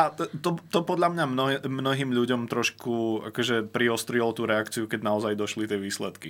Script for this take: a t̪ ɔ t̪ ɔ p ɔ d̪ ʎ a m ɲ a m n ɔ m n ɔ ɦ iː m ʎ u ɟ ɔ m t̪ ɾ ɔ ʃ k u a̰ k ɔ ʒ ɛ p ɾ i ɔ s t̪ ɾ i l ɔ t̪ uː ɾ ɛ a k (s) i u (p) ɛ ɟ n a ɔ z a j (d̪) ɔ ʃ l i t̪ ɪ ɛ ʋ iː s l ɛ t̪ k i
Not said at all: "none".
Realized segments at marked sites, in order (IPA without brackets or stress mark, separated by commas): t͡s, k, d̪